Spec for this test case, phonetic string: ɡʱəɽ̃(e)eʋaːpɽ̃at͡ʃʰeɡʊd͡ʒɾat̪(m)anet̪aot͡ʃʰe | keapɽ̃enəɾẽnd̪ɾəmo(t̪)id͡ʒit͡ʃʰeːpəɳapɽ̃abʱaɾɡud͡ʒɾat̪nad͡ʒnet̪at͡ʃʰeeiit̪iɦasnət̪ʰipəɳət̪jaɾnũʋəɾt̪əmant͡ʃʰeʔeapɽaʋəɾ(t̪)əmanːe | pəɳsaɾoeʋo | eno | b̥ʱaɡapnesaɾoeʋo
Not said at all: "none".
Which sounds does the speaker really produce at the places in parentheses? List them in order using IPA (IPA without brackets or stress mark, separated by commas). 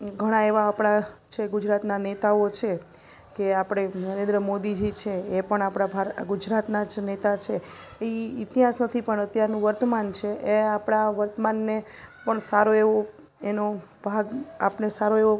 a, n, d̪, t̪